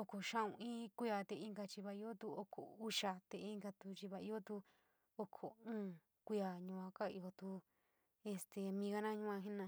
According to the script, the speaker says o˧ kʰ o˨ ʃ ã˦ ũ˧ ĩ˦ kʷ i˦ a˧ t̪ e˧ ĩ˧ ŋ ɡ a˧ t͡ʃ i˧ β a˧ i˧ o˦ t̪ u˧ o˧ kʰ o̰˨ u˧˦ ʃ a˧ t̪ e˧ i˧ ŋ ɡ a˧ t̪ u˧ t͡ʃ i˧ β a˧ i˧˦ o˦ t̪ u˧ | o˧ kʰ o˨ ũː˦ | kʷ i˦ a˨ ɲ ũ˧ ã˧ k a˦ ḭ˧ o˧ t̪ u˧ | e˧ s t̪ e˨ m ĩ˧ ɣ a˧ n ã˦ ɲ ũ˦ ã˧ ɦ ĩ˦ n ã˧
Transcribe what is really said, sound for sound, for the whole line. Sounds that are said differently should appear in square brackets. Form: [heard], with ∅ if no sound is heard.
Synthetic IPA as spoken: o˧ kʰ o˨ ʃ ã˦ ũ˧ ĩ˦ kʷ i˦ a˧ t̪ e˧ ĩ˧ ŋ ɡ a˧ t͡ʃ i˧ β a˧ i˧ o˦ t̪ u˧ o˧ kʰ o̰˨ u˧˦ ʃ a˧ t̪ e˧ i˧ ŋ ɡ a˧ t̪ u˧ t͡ʃ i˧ β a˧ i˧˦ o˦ t̪ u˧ | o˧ kʰ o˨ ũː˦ | kʷ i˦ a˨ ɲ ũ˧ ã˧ k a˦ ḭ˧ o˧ t̪ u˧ | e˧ s t̪ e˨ m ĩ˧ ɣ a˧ n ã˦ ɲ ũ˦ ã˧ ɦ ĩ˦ n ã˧